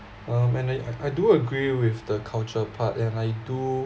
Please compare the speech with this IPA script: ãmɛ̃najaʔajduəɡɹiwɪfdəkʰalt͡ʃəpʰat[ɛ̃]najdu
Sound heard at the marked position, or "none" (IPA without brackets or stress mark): ɛ̃